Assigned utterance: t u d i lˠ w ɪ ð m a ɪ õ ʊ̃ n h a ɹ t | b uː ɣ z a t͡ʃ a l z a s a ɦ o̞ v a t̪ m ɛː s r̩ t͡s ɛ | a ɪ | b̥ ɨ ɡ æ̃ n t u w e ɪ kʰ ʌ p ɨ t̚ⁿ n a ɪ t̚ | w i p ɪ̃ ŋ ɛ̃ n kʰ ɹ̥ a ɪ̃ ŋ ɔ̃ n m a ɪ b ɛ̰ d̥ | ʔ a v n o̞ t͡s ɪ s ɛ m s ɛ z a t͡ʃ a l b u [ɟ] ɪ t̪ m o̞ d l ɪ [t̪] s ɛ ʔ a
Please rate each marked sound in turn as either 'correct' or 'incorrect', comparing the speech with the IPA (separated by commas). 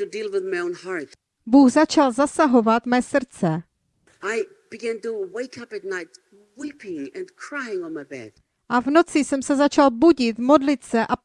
correct, correct